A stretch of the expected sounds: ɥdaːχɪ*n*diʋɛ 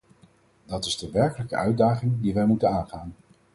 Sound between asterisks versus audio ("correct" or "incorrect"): incorrect